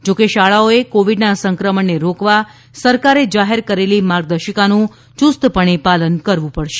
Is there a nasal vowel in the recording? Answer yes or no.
yes